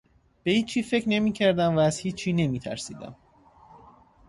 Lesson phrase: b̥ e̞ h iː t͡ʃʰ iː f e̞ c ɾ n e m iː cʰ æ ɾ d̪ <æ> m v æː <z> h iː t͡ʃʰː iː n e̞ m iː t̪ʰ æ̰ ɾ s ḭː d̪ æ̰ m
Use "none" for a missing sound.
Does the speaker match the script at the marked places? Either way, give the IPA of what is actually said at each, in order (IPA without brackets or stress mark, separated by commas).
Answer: æ, z